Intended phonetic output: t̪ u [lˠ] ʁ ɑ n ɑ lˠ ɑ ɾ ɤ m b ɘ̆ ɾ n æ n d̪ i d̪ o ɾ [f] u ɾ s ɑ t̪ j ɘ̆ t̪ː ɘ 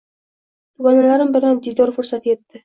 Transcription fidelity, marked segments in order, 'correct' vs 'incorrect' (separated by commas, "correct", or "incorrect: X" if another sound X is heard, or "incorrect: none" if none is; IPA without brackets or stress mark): incorrect: none, correct